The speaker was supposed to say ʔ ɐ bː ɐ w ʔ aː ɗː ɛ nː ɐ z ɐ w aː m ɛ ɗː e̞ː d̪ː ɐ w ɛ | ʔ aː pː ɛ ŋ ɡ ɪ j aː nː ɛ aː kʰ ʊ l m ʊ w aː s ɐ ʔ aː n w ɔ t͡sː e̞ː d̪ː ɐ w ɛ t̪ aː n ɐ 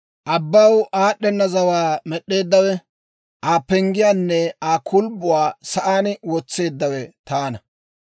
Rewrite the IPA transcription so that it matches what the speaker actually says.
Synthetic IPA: ʔ ɐ bː ɐ w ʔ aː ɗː ɛ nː ɐ z ɐ w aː m ɛ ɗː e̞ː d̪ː ɐ w ɛ | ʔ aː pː ɛ ŋ ɡ ɪ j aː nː ɛ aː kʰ ʊ l b ʊ w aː s ɐ ʔ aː n w ɔ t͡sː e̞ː d̪ː ɐ w ɛ t̪ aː n ɐ